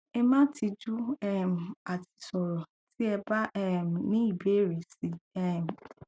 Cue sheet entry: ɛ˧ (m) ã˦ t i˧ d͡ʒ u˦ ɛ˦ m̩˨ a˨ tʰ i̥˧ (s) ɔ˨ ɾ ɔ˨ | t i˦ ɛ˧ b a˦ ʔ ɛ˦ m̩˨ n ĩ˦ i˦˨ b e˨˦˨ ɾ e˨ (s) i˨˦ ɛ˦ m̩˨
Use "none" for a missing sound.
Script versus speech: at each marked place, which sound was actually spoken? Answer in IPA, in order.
m, s, s

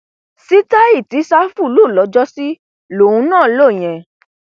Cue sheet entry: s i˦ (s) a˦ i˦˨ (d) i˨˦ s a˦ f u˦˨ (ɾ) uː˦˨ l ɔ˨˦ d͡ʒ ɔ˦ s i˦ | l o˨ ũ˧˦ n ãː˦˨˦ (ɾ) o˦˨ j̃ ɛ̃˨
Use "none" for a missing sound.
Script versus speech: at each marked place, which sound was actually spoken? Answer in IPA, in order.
t, t, l, l

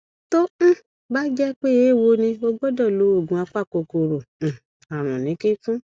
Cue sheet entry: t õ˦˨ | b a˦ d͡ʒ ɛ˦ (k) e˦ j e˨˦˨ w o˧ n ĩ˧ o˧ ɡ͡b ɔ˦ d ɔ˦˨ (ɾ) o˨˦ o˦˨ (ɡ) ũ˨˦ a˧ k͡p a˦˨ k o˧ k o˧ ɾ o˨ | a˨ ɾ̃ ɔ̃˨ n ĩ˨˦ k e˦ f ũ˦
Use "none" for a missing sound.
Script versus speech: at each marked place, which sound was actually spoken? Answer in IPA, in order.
k͡p, l, ɡ

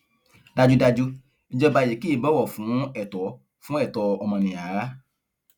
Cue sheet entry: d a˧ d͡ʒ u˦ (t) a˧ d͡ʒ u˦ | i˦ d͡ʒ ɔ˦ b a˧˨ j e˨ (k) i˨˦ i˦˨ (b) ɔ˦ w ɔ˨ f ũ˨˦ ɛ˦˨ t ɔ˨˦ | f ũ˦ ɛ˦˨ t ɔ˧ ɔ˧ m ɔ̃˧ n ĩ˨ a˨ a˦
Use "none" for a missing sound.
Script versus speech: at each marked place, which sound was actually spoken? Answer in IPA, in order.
d, k, b

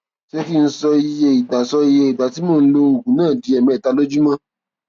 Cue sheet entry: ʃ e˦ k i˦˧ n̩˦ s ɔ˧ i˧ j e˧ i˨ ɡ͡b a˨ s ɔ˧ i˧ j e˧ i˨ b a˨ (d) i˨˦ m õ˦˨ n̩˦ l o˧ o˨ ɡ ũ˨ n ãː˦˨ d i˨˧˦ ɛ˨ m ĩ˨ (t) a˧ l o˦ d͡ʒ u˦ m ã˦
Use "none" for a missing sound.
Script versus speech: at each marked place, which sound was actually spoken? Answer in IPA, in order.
t, t

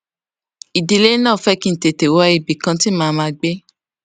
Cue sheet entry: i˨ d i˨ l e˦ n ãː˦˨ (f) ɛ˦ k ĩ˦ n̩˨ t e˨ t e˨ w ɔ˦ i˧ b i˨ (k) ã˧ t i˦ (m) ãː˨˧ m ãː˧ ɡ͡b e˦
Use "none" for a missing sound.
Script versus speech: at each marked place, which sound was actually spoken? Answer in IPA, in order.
f, k, m

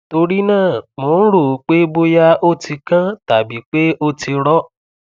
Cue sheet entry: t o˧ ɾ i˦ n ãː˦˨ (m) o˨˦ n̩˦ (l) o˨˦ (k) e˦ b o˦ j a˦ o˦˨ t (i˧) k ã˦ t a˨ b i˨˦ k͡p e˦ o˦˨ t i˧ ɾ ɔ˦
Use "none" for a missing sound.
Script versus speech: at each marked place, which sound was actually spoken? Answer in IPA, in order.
m, ɾ, k͡p, i˧

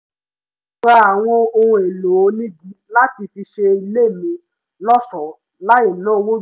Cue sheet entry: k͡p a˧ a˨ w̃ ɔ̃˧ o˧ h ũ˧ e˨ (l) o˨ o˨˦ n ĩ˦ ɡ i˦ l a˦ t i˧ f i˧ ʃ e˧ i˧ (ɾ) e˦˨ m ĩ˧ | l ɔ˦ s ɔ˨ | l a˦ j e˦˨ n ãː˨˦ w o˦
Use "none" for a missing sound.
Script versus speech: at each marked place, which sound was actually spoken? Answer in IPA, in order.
l, l

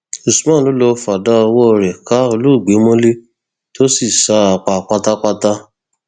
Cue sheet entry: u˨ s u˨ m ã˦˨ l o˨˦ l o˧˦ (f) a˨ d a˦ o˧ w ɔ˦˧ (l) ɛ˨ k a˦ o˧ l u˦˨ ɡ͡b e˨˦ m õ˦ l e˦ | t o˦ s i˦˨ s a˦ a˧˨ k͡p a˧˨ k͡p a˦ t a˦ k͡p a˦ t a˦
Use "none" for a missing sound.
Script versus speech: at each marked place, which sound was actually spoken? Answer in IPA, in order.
f, ɾ

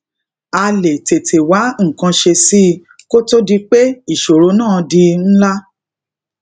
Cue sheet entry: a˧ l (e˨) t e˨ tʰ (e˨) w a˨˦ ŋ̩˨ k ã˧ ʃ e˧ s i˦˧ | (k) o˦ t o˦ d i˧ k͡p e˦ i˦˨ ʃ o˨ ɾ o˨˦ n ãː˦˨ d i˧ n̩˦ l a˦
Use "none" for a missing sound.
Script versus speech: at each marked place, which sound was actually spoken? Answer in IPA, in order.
e˨, e˨, k

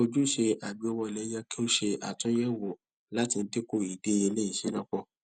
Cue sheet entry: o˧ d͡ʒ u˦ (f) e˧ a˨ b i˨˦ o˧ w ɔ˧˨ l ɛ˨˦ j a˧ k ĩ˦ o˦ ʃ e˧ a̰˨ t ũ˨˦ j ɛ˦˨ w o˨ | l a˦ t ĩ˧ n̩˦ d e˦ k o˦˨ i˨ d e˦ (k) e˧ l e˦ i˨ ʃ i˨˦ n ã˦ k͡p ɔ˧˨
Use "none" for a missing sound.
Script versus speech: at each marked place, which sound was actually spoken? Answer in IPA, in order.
ʃ, none

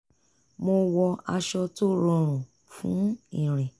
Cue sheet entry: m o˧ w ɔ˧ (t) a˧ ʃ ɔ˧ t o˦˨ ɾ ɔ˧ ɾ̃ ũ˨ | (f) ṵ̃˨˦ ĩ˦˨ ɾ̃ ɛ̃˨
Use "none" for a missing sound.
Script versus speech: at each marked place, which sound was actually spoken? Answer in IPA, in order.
none, f

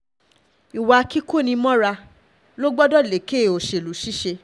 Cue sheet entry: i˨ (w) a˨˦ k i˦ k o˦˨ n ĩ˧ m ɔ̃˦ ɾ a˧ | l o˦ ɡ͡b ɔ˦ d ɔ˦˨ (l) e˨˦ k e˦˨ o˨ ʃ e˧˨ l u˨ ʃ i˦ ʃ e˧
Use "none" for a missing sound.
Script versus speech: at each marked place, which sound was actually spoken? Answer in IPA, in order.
w, l

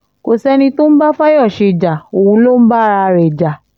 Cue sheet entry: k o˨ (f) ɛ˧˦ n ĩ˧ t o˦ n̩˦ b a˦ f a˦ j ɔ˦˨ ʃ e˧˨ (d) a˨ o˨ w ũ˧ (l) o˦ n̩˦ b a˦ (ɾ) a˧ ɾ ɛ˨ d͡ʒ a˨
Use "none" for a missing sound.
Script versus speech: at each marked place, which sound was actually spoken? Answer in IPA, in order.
s, d͡ʒ, l, ɾ

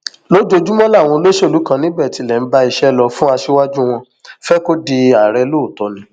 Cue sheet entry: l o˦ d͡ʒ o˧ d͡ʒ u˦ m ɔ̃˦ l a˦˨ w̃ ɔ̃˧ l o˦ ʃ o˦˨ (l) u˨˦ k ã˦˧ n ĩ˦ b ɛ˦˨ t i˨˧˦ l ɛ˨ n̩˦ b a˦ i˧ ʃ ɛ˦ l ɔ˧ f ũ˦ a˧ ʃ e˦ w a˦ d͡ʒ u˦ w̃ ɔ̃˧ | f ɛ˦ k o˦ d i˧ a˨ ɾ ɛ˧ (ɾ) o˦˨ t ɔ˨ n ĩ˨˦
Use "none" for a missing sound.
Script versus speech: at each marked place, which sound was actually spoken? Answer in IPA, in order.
l, l

